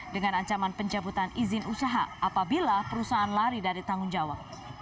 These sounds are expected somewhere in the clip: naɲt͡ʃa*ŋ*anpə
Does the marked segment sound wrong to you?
yes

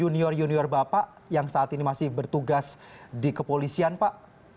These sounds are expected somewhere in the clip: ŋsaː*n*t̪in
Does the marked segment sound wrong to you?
yes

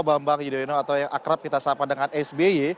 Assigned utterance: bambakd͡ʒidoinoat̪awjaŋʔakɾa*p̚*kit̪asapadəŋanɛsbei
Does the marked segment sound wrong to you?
no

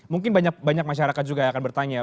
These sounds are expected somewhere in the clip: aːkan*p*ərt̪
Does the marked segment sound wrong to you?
yes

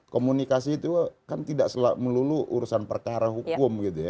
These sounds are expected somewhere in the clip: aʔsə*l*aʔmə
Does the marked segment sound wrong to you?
no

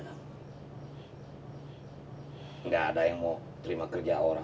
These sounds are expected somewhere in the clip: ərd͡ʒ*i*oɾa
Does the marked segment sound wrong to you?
yes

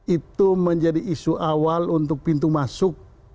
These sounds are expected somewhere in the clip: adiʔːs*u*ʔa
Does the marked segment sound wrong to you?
no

